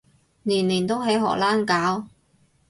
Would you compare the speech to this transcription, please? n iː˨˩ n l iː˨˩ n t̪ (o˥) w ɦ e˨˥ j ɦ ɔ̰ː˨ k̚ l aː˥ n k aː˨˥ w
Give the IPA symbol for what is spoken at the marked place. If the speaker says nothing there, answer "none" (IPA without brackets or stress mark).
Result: o˥